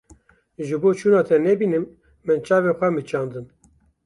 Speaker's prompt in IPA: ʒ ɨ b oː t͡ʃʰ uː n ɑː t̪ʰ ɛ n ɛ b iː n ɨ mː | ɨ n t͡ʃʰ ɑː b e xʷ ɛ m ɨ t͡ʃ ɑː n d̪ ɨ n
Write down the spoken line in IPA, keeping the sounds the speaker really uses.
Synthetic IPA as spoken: ʒ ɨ b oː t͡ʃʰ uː n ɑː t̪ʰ ɛ n ɛ b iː n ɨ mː | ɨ n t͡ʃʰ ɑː v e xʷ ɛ m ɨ t͡ʃ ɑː n d̪ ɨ n